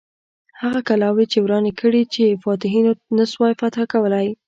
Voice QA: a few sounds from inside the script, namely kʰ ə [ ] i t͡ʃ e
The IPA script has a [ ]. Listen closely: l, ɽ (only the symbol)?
ɽ